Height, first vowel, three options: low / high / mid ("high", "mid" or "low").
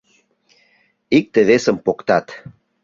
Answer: high